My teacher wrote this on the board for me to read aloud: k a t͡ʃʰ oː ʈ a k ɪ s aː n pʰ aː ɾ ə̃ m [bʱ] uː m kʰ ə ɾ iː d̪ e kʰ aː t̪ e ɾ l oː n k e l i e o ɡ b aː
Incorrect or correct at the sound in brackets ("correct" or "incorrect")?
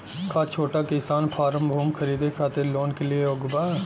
correct